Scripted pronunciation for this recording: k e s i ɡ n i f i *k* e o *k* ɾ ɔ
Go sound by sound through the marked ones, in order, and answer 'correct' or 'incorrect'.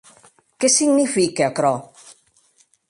correct, correct

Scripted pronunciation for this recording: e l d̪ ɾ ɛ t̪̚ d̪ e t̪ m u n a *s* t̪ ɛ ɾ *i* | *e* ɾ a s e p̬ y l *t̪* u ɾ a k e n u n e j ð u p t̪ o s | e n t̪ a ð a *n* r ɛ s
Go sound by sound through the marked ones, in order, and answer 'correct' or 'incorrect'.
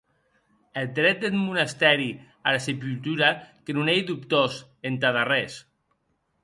correct, correct, incorrect: a, correct, incorrect: none

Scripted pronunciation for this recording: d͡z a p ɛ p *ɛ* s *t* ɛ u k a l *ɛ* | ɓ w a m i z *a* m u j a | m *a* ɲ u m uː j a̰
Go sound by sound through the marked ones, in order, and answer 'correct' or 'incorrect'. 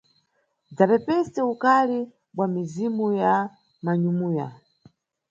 correct, correct, incorrect: i, incorrect: i, correct

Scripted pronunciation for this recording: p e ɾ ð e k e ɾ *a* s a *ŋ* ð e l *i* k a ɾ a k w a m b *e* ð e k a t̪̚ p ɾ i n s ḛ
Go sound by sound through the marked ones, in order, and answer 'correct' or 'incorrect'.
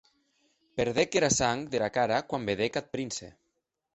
correct, correct, incorrect: a, correct

